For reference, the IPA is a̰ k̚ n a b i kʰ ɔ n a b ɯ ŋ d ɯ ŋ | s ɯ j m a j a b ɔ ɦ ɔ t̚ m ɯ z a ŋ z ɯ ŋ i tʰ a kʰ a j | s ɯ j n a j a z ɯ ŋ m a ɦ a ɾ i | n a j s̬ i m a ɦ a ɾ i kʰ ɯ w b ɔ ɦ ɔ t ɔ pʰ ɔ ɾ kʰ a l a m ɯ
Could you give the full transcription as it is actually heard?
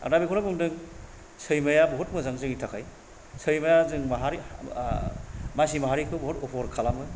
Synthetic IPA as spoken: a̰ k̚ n a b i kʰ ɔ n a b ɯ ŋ d ɯ ŋ | s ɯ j m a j a b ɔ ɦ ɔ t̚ m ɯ z a ŋ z ɯ ŋ i tʰ a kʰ a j | s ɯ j m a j a z ɯ ŋ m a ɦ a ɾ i | m a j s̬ i m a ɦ a ɾ i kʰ ɯ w b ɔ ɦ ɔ t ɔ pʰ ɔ ɾ kʰ a l a m ɯ

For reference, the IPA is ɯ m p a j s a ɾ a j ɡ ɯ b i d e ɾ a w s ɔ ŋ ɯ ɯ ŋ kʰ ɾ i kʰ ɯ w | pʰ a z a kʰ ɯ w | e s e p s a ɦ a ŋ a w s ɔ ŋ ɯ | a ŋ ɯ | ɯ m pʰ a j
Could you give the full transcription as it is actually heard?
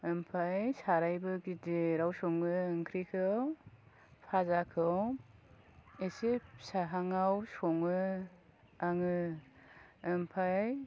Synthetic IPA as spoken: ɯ m pʰ a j s a ɾ a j b ɯ ɡ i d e ɾ a w s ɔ ŋ ɯ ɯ ŋ kʰ ɾ i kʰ ɯ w | pʰ a z a kʰ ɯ w | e s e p s a ɦ a ŋ a w s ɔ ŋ ɯ | a ŋ ɯ | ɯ m pʰ a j

